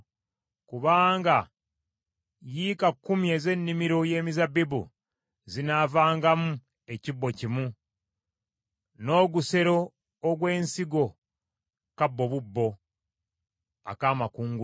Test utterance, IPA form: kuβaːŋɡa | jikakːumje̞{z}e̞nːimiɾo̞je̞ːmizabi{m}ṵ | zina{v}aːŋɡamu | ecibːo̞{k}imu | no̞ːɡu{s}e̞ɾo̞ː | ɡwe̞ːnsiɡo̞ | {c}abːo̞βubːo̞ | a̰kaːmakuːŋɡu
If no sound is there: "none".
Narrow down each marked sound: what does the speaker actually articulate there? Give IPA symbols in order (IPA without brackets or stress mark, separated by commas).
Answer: z, b, v, c, s, k